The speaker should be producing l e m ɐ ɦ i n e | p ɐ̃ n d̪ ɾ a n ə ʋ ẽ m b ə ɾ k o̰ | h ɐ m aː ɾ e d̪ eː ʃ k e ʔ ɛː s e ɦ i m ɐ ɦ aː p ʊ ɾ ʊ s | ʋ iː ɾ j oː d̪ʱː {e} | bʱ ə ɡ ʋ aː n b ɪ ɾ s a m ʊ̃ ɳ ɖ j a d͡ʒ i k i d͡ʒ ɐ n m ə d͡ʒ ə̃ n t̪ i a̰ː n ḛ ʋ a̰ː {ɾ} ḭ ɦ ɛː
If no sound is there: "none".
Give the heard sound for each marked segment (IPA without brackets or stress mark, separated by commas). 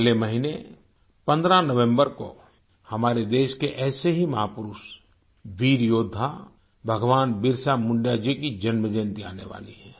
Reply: a, l